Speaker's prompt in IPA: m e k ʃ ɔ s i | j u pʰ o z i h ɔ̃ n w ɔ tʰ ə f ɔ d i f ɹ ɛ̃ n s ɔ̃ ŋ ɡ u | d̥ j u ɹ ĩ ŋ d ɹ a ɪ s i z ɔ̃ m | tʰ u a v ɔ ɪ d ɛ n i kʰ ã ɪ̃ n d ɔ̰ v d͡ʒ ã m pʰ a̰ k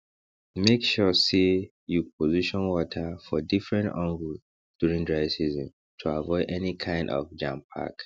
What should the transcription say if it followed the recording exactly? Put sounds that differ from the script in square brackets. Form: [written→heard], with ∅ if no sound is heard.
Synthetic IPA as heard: m e k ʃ ɔ s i | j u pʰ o z i [h→ʃ] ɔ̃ n w ɔ tʰ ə f ɔ d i f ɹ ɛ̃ n [s→t] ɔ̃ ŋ ɡ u | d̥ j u ɹ ĩ ŋ d ɹ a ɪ s i z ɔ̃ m | tʰ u a v ɔ ɪ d ɛ n i kʰ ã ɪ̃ n d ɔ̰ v d͡ʒ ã m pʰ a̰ k